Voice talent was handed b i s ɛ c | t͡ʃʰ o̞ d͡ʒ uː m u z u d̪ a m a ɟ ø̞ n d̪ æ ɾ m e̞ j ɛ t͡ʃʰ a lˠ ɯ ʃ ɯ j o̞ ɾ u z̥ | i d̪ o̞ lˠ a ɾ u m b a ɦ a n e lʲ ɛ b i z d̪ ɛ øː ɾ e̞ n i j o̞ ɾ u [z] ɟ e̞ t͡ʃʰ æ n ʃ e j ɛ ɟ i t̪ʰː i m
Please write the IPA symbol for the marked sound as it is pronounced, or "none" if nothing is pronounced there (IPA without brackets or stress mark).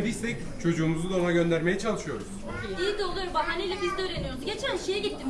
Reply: z